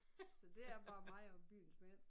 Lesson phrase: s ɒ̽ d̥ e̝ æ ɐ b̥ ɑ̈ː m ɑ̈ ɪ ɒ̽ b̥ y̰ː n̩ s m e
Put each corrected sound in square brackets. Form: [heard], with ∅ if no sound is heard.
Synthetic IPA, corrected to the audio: s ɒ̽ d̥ e̝ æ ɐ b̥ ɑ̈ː m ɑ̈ ɪ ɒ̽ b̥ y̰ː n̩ s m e